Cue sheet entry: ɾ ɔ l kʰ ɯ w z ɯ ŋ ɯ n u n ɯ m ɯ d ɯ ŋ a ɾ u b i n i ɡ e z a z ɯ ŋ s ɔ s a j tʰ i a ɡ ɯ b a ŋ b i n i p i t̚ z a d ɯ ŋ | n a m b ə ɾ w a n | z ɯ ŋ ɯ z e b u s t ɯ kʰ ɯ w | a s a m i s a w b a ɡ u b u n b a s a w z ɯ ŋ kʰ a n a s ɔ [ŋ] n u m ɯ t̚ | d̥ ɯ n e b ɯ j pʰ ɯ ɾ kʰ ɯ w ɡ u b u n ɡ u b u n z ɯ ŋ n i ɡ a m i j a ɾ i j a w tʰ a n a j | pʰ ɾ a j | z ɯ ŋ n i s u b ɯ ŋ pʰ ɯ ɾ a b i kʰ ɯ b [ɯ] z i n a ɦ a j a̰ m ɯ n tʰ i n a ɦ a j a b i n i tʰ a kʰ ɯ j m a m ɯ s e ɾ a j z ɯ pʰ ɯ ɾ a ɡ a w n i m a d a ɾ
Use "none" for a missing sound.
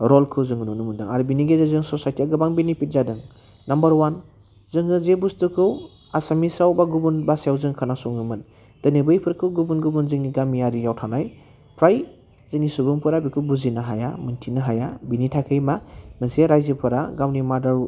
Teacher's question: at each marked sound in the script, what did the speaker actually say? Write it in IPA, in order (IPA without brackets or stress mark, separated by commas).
ŋ, u